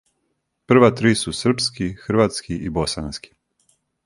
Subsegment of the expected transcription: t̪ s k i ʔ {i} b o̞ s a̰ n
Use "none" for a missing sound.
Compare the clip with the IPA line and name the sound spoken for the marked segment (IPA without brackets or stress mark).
i